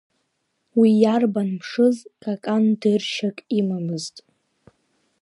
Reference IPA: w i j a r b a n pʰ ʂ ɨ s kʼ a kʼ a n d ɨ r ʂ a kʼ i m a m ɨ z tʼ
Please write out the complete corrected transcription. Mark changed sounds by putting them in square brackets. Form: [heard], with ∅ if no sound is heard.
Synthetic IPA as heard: w i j a r b a n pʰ ʂ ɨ [z] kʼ a kʼ a n d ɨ r [ʃ] a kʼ i m a m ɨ z tʼ